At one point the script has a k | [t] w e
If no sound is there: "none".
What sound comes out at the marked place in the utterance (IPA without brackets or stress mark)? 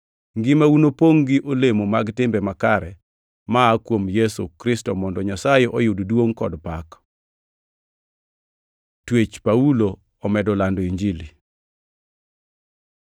t